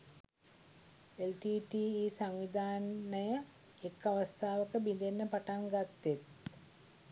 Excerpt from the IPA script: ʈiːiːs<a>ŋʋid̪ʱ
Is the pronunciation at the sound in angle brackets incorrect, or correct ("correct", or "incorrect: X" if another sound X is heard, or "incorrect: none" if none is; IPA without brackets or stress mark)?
correct